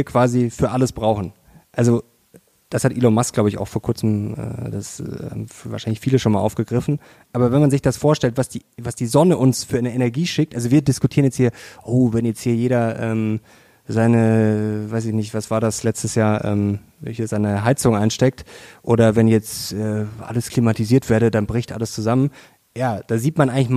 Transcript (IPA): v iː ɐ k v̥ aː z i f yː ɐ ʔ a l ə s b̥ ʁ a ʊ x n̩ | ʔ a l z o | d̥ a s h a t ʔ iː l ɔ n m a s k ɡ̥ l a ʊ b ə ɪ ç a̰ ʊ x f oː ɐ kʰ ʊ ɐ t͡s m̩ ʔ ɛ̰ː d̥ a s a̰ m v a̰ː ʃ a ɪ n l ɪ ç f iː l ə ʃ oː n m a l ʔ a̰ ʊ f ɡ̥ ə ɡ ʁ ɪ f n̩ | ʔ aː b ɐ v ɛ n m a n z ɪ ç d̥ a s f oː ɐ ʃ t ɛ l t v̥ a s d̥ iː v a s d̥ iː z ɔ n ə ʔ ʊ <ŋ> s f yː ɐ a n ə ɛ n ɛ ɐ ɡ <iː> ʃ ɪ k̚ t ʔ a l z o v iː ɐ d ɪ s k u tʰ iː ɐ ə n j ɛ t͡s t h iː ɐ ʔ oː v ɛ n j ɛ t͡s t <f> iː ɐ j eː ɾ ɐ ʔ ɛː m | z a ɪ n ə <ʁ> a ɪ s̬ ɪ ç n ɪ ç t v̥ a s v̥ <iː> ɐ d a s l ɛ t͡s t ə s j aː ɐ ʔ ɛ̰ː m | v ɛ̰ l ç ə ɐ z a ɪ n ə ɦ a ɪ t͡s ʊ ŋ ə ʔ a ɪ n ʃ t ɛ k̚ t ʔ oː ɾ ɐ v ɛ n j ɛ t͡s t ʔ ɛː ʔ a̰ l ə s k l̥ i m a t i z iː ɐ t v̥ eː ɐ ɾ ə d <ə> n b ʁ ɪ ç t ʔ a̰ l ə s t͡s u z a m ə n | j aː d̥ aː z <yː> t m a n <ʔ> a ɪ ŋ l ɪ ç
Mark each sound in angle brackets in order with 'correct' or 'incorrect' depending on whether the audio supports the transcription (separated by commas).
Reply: incorrect, correct, incorrect, incorrect, incorrect, incorrect, incorrect, correct